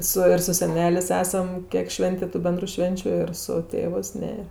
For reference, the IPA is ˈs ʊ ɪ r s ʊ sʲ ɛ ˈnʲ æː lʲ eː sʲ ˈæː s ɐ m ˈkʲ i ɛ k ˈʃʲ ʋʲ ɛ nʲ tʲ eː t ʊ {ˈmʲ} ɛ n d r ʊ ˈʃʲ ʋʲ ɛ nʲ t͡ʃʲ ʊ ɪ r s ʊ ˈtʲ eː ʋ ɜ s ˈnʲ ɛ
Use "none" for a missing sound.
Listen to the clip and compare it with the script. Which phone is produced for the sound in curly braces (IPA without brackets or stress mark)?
bʲ